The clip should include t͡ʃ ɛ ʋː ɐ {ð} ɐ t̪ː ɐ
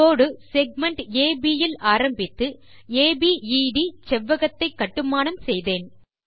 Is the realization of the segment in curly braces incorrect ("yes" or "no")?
yes